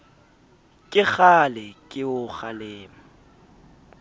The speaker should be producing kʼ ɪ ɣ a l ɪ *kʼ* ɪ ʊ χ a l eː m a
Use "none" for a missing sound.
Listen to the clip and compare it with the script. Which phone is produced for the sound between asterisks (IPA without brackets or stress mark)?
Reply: kʼ